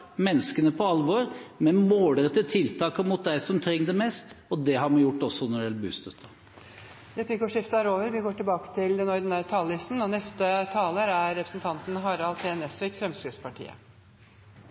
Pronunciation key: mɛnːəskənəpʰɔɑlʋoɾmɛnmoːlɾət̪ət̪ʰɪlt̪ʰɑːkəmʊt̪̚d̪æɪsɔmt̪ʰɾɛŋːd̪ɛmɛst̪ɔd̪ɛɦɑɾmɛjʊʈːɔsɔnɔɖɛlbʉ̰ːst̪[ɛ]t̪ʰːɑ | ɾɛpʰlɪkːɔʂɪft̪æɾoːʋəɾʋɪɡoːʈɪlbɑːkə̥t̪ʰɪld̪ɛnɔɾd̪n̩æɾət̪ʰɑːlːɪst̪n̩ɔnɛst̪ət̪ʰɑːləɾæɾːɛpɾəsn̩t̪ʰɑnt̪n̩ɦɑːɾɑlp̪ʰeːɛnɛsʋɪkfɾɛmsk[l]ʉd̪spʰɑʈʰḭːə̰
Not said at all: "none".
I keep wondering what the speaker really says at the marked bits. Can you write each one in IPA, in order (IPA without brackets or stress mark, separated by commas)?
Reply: œ, ɾ